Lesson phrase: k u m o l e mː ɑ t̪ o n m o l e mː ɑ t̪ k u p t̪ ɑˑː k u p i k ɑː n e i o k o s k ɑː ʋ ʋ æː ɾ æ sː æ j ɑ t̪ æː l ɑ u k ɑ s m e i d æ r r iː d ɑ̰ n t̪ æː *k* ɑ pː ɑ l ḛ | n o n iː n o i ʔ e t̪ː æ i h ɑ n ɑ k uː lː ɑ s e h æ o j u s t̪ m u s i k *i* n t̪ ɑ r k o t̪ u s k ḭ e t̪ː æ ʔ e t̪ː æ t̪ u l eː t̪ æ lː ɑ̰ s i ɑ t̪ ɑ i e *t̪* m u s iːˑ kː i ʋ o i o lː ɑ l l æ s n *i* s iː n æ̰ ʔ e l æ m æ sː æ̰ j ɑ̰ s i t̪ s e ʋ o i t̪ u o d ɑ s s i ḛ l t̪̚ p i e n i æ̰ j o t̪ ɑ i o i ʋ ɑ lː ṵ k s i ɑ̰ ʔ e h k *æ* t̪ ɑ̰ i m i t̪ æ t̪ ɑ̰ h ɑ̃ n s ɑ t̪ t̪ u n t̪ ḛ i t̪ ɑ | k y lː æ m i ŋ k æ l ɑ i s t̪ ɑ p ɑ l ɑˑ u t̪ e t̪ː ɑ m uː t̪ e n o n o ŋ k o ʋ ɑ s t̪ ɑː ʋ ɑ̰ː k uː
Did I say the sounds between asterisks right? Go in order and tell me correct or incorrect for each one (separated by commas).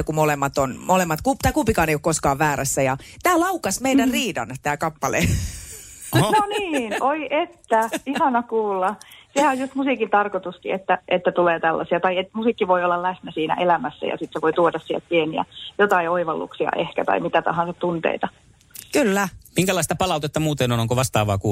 correct, correct, correct, incorrect, correct